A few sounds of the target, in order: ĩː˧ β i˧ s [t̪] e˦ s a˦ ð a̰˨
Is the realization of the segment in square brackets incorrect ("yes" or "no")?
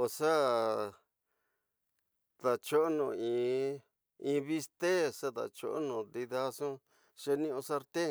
no